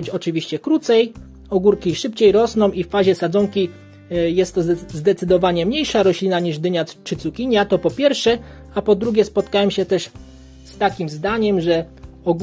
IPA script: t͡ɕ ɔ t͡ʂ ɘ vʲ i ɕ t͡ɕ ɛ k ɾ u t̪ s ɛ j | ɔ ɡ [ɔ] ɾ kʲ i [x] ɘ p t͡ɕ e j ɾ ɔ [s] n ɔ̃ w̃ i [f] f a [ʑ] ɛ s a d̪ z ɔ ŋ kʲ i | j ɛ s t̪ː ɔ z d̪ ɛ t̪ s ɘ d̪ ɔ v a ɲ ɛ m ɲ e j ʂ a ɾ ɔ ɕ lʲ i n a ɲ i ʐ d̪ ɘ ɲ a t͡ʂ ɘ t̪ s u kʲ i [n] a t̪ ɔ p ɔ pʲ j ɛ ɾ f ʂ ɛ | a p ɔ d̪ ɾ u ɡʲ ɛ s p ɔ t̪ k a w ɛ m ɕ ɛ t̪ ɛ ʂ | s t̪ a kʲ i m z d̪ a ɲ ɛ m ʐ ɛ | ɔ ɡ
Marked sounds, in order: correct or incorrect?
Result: incorrect, incorrect, correct, correct, correct, incorrect

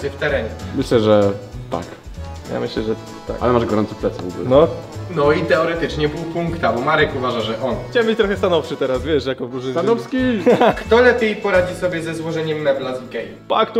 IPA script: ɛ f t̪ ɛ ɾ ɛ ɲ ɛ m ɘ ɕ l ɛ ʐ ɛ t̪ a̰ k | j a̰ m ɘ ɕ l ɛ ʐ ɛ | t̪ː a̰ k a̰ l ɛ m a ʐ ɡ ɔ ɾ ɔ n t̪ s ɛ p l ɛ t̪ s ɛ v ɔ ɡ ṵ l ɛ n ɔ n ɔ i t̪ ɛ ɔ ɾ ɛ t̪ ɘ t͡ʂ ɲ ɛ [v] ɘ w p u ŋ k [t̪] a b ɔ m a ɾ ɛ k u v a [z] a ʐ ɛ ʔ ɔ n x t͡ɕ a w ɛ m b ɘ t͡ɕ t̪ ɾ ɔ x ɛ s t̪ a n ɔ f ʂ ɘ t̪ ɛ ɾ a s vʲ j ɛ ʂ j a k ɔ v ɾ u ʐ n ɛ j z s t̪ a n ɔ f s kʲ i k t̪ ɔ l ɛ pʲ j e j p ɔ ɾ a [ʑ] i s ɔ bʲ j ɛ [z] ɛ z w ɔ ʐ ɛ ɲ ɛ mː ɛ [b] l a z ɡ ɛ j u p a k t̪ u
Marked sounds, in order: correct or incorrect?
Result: incorrect, correct, incorrect, incorrect, correct, correct

